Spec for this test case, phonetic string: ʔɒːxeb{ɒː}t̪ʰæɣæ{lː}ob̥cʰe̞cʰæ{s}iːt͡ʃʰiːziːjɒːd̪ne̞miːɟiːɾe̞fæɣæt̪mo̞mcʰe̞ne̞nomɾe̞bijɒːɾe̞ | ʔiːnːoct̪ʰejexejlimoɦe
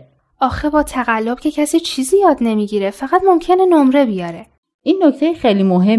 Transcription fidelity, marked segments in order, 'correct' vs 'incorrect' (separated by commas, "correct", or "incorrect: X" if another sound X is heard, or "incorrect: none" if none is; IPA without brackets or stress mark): correct, correct, correct